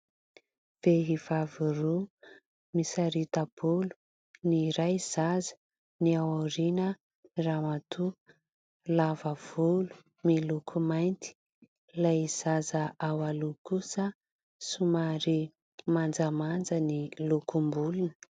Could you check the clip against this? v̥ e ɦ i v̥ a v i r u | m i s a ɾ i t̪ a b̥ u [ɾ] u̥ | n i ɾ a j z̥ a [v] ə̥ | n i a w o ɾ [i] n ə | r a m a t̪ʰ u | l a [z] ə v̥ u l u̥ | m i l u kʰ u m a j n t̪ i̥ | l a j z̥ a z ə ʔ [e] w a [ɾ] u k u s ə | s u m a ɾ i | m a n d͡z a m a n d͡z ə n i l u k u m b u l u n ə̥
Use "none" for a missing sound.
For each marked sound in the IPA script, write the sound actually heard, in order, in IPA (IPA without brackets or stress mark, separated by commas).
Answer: l, z, i, v, a, l